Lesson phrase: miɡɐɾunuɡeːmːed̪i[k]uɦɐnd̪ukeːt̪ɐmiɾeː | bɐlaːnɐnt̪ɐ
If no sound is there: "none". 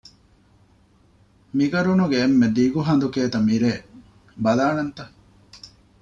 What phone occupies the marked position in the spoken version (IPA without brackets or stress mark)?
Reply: ɡ